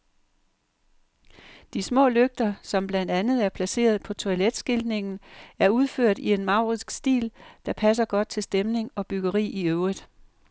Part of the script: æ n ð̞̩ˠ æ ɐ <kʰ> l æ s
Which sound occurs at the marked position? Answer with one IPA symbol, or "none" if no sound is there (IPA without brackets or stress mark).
pʰ